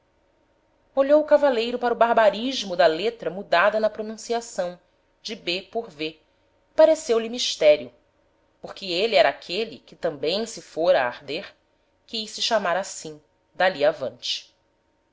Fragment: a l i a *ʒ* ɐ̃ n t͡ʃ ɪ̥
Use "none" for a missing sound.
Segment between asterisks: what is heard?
v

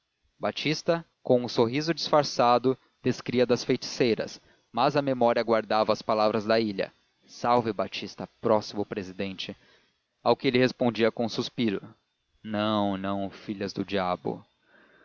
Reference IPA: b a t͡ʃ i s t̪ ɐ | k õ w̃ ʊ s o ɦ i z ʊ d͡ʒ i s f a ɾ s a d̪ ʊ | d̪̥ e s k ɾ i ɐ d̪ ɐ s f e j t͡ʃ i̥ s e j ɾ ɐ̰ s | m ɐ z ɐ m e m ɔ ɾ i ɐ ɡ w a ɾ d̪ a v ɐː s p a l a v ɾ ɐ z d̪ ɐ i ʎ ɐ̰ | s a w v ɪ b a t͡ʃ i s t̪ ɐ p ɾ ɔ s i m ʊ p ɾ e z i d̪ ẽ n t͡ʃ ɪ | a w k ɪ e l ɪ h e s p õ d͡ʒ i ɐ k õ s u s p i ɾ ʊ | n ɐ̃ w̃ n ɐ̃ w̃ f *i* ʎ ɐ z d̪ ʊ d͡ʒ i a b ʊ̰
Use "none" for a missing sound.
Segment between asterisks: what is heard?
i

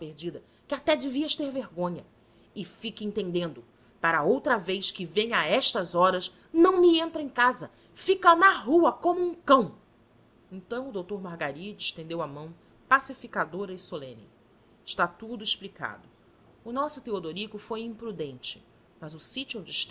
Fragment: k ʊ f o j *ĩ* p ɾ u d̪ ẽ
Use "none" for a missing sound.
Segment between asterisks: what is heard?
ĩ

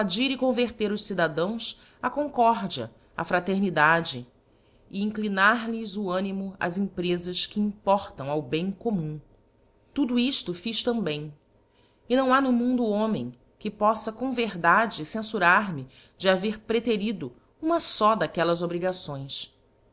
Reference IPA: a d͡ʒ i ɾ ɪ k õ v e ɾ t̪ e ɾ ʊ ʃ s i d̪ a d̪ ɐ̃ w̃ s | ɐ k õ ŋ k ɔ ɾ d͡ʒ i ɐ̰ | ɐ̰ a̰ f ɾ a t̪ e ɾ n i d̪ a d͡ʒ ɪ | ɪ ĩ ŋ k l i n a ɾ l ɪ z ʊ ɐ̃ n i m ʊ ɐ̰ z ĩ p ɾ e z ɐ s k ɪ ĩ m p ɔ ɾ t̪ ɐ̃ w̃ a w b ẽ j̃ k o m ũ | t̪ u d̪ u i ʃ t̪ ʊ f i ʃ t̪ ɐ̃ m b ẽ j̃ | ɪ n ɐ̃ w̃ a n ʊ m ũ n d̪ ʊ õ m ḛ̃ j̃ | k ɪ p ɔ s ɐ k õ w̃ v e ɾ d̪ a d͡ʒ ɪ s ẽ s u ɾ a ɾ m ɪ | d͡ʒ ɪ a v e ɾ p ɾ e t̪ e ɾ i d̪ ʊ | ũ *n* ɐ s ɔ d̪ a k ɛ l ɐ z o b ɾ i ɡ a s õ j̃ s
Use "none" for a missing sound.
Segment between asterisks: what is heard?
m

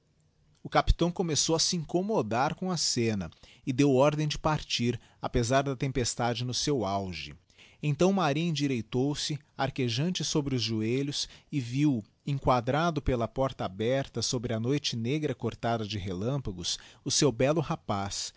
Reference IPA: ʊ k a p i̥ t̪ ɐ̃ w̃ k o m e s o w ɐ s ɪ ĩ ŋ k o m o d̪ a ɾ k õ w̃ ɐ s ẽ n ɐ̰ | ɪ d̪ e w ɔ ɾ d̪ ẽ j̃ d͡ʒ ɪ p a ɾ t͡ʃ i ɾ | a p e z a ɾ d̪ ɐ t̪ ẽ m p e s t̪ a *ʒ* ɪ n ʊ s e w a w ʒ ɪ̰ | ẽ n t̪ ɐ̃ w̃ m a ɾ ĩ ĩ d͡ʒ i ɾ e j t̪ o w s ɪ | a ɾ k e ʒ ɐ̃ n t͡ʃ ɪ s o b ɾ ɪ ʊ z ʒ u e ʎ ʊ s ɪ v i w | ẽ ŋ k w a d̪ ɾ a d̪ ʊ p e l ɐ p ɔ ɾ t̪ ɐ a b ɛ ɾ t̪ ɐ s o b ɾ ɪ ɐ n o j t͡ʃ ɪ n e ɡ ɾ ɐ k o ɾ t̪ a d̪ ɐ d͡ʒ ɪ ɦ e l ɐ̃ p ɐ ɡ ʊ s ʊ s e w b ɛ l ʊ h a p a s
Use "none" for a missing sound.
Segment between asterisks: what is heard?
d͡ʒ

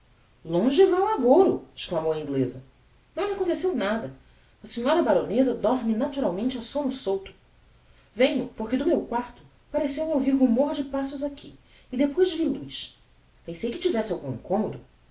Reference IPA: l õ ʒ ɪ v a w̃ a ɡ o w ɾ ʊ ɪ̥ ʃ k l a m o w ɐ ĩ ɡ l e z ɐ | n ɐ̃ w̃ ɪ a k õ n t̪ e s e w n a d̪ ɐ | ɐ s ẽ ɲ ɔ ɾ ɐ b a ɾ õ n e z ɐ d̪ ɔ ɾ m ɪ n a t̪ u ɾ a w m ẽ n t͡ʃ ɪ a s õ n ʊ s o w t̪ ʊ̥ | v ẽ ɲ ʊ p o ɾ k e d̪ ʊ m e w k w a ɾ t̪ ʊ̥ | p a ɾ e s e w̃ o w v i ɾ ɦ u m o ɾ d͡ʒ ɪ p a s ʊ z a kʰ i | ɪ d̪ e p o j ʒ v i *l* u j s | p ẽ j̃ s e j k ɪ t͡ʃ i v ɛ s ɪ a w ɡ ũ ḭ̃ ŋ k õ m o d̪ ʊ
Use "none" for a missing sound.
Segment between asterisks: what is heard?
l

